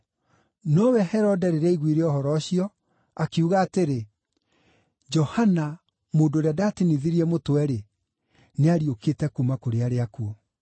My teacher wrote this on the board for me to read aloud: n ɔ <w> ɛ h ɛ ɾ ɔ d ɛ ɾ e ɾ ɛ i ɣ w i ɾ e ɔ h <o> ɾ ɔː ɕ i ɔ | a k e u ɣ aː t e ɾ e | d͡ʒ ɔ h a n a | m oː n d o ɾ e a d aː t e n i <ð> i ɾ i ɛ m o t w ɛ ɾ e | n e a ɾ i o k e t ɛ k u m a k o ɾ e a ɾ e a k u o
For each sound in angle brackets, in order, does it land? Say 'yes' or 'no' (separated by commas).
yes, no, yes